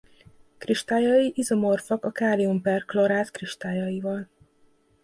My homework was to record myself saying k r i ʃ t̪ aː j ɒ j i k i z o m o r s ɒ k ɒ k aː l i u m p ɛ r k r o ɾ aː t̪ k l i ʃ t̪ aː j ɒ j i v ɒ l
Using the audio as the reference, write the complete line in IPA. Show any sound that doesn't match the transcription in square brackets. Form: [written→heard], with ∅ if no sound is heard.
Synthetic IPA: k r i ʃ t̪ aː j ɒ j i [k→ʔ] i z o m o r [s→f] ɒ k ɒ k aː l i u m p ɛ r k [r→l] o ɾ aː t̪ k [l→r] i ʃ t̪ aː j ɒ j i v ɒ l